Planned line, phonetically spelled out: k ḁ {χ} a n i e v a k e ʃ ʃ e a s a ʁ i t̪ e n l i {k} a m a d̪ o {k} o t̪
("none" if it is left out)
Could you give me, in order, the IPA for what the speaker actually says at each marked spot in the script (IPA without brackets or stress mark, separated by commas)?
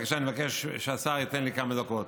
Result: ʃ, k, k